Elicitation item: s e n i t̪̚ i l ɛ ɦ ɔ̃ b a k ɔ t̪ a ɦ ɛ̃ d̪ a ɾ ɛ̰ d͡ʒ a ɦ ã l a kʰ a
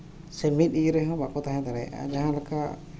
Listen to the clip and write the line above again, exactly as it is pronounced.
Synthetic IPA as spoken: s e m i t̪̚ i ɾ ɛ ɦ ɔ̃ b a k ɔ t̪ a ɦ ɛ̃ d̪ a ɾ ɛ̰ d͡ʒ a ɦ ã l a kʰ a